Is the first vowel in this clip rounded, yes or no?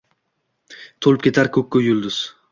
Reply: yes